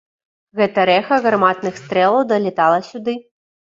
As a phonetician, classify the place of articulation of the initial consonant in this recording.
velar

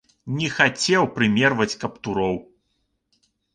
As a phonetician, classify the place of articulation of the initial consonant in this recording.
alveolar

